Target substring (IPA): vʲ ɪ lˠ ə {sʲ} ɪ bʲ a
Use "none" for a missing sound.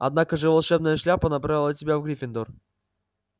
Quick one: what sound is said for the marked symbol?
tʲ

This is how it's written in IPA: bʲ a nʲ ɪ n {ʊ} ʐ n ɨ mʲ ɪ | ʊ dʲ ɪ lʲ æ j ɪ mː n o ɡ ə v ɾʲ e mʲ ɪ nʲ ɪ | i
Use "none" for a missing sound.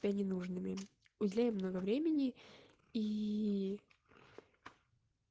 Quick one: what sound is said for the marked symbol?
u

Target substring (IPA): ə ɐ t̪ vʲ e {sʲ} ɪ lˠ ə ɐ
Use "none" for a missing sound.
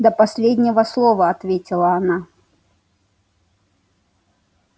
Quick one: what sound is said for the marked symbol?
tʲ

